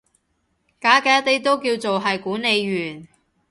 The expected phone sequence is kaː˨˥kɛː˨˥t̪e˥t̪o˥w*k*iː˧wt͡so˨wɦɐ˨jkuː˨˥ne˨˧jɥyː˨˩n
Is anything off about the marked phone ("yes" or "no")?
no